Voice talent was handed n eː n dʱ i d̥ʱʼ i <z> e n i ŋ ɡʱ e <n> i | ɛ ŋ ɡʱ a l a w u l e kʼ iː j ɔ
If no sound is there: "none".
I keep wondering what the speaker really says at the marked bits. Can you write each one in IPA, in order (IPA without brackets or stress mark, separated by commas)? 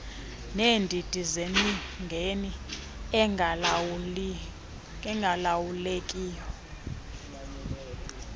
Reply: z, n